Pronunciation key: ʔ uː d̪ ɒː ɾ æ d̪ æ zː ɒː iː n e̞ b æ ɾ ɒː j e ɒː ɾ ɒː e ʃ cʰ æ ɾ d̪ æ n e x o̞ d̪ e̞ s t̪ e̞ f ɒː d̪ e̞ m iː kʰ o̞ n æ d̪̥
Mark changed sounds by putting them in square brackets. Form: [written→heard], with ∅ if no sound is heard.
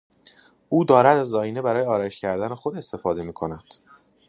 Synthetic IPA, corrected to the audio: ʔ uː d̪ ɒː ɾ æ d̪ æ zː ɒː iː n e̞ b æ ɾ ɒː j e ɒː ɾ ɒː e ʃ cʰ æ ɾ d̪ æ n e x o̞ d̪ e̞ s t̪ e̞ f ɒː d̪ e̞ m iː kʰ o̞ n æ d̪̥